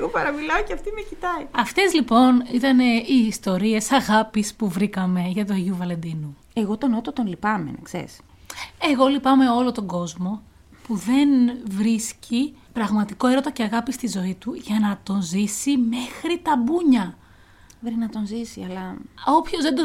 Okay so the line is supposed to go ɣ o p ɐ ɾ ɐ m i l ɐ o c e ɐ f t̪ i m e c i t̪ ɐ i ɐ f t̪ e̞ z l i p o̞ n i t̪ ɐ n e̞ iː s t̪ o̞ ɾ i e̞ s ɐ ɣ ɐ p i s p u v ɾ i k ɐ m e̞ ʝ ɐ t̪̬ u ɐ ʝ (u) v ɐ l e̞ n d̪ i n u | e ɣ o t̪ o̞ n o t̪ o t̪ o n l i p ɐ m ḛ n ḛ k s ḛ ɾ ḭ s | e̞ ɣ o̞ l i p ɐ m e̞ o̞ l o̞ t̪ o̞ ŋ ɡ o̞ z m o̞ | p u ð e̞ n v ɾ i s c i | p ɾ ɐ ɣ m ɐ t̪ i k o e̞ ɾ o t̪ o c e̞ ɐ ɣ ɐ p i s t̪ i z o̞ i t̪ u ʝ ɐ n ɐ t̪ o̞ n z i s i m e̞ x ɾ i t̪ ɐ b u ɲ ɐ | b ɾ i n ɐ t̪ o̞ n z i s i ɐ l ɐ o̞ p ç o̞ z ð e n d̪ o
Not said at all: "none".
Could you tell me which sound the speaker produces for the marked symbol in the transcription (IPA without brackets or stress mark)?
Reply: u